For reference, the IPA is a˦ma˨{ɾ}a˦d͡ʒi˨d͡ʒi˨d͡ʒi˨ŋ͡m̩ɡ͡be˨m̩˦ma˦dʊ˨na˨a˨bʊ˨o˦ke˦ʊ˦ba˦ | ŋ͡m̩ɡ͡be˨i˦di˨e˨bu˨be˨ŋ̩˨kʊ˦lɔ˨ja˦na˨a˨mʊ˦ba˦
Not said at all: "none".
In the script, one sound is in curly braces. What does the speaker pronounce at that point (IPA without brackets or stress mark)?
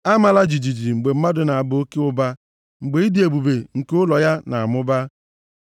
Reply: l